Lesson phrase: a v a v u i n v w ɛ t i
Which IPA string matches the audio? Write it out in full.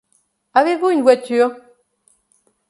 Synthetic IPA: a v e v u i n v w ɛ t y